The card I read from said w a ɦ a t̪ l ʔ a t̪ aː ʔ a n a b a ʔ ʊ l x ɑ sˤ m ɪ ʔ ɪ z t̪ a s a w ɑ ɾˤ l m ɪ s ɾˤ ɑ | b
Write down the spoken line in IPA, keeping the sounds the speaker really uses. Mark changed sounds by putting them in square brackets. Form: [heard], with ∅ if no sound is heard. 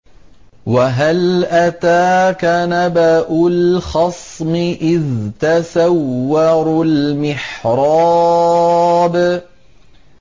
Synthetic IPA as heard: w a ɦ a [∅] l ʔ a t̪ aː [k] a n a b a ʔ ʊ l x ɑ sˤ m ɪ ʔ ɪ [ð] t̪ a s a [wː] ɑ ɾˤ l m ɪ [ħ] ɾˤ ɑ | b

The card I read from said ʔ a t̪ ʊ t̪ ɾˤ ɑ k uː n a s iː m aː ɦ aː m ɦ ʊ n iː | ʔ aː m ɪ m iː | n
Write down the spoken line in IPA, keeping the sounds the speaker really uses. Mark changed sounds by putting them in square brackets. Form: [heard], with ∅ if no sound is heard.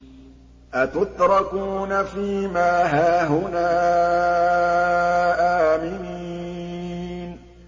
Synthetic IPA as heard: ʔ a t̪ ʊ t̪ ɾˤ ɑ k uː n a [f] iː m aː ɦ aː [∅] ɦ ʊ n [aː] | ʔ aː m ɪ [n] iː | n

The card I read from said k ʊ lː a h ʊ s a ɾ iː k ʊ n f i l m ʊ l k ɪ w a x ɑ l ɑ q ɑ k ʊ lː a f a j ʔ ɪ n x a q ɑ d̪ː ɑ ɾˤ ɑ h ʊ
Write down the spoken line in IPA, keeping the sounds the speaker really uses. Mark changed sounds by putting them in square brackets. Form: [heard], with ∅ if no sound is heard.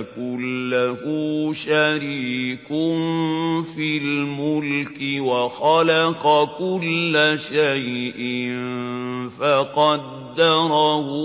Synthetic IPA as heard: k ʊ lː a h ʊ [ʃ] a ɾ iː k ʊ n f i l m ʊ l k ɪ w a x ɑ l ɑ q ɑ k ʊ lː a [ʃ] a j ʔ ɪ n [f] a q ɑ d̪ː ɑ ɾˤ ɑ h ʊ

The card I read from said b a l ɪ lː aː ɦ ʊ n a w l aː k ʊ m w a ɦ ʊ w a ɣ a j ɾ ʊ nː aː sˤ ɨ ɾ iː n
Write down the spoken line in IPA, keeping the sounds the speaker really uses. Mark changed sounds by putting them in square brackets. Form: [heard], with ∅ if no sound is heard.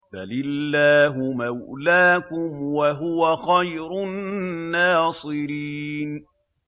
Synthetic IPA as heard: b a l ɪ lː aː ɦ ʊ [m] a w l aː k ʊ m w a ɦ ʊ w a [x] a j ɾ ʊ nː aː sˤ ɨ ɾ iː n

